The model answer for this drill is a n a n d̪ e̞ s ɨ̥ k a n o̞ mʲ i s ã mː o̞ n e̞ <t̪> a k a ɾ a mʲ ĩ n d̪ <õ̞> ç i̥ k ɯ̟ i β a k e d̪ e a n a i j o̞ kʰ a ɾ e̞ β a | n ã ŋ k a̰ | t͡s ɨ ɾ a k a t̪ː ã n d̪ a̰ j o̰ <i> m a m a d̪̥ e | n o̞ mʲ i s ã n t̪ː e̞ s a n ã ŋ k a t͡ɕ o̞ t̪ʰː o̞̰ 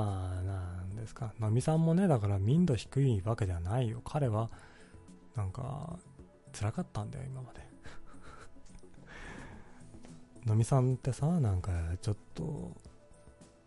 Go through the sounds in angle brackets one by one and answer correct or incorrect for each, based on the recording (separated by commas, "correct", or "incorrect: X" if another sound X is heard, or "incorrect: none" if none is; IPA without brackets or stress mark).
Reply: incorrect: d̪, incorrect: o̞, correct